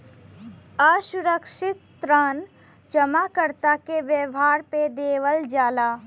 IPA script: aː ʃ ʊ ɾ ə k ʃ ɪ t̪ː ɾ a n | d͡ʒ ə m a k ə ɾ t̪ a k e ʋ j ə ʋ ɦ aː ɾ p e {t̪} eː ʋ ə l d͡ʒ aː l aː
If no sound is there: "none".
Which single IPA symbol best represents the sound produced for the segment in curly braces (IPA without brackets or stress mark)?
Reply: d̪